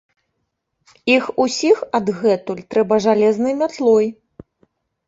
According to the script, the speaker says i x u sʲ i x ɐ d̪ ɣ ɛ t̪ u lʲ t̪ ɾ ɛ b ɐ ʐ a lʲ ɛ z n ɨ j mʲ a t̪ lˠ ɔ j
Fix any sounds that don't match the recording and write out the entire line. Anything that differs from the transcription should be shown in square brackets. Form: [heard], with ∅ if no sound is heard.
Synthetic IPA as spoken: i x u sʲ i x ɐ d̪ ɣ ɛ t̪ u lʲ t̪ ɾ ɛ b ɐ ʐ a lʲ ɛ z n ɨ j mʲ a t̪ lˠ ɔ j